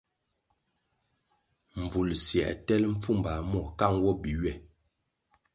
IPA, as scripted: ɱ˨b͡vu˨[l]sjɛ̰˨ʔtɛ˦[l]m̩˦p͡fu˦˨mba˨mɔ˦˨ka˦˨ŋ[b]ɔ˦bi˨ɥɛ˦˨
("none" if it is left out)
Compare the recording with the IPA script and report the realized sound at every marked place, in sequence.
l, l, w

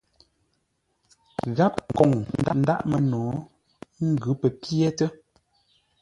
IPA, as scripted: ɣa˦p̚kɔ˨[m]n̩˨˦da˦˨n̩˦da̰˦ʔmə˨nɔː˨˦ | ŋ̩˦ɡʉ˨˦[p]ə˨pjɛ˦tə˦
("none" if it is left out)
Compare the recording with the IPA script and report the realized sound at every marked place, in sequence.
ŋ, p

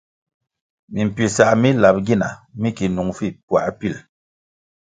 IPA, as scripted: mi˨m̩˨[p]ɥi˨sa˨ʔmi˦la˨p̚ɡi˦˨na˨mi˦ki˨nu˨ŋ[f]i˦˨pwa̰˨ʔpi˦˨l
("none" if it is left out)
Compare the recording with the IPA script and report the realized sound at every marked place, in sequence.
p, f

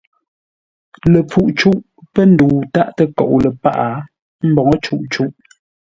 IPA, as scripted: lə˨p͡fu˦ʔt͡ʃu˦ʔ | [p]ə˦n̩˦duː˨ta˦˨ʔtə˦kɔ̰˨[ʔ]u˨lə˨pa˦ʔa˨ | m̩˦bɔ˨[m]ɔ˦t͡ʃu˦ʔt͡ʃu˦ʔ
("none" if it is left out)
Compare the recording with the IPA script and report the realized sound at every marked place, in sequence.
p, ʔ, ŋ

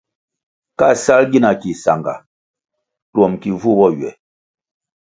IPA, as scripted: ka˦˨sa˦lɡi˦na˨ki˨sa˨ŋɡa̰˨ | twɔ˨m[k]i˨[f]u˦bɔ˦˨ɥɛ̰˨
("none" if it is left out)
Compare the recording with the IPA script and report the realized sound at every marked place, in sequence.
k, v

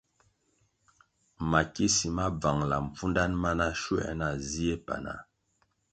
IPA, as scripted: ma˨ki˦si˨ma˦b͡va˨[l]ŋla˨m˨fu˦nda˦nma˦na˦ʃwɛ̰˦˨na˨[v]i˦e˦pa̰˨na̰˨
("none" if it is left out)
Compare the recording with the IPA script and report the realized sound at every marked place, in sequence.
none, z

